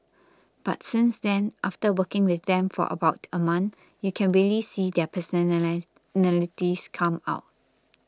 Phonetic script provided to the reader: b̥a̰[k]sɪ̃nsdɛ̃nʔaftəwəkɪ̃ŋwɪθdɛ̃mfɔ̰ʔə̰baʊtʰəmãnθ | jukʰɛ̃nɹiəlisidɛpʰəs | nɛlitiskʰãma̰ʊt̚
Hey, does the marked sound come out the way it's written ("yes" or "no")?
no